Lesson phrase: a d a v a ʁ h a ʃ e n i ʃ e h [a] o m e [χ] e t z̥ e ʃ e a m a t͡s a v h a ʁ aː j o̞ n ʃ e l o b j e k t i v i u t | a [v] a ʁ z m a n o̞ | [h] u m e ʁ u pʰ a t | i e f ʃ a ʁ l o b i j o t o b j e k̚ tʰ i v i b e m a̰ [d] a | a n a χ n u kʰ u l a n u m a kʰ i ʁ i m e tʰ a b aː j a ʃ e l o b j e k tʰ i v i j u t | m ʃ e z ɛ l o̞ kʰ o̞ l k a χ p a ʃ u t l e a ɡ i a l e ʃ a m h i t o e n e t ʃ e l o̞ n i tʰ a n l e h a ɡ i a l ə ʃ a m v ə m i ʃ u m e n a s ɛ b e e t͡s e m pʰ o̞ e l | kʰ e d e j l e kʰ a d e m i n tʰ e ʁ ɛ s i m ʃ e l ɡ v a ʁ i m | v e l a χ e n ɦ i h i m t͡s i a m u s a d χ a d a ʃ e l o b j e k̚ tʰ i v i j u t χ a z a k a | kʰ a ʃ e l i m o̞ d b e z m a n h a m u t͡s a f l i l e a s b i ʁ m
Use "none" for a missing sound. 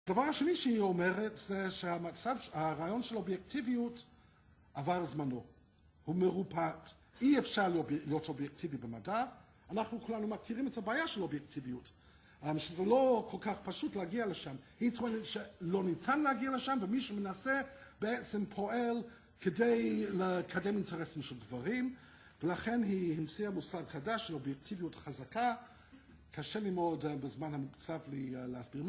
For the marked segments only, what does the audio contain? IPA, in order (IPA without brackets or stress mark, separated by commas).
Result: i, ʁ, v, h, d